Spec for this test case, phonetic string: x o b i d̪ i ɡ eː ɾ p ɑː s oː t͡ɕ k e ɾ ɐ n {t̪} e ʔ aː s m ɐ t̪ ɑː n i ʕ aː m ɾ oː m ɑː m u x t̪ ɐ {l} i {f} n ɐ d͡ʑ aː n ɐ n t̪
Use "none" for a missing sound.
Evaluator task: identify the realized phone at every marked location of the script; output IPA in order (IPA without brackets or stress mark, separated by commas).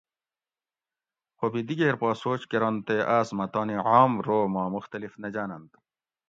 t̪, l, f